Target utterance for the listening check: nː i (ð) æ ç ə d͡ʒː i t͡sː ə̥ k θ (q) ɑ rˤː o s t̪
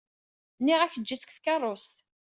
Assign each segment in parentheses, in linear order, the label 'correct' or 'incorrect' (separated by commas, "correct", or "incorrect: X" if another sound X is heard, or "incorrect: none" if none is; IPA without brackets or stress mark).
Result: incorrect: ʁ, incorrect: k